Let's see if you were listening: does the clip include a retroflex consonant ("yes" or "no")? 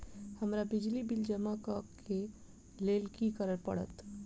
yes